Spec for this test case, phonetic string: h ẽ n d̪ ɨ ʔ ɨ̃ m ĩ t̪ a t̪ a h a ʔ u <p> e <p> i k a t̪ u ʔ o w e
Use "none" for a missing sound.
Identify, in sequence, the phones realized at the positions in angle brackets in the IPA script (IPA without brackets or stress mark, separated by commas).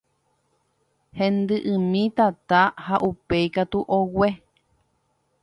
p, none